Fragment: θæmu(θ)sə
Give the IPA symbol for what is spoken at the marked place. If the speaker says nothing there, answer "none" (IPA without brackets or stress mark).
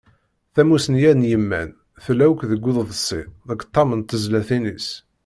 none